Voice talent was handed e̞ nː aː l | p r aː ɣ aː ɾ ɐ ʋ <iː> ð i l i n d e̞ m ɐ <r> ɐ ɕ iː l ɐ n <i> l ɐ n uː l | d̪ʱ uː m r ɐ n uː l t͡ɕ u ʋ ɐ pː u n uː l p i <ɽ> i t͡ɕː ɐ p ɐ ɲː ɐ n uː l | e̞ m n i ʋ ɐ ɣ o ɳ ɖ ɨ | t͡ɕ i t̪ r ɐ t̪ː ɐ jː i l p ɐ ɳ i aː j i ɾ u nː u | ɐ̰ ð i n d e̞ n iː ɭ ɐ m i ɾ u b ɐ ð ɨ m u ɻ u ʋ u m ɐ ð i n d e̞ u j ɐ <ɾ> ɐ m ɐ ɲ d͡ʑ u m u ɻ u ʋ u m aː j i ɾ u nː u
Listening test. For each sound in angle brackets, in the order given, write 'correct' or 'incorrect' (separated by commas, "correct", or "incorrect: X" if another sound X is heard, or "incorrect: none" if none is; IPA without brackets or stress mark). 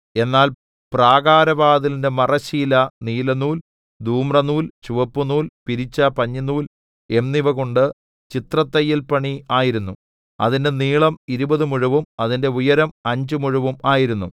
incorrect: aː, correct, incorrect: iː, incorrect: ɾ, correct